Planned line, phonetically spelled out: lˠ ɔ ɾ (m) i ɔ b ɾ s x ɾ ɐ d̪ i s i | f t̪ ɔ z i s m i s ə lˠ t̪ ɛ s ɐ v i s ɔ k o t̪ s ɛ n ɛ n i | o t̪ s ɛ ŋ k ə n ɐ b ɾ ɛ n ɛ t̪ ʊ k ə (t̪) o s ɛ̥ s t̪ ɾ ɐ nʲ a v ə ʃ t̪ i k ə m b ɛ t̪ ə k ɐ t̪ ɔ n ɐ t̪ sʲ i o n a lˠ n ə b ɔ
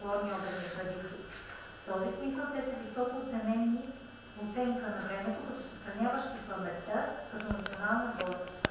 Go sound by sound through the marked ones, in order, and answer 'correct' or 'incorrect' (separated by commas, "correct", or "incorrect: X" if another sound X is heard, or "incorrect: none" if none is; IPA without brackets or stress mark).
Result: incorrect: n, correct